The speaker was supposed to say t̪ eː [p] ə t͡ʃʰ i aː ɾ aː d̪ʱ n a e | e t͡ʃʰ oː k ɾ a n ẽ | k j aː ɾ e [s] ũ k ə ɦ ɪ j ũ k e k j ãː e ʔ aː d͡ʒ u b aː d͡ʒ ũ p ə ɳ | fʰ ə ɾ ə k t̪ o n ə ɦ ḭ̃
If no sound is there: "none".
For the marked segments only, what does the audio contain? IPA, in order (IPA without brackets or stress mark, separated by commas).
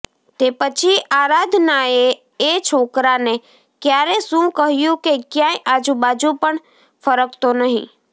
p, s